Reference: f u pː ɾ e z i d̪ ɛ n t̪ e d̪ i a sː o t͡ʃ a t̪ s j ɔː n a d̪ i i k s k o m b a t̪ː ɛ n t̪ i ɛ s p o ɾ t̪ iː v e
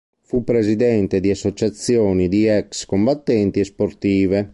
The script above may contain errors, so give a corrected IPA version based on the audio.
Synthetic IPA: f u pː ɾ e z i d̪ ɛ n t̪ e d̪ i a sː o t͡ʃ a t̪ s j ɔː n i d̪ i ɛ k s k o m b a t̪ː ɛ n t̪ i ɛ s p o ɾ t̪ iː v e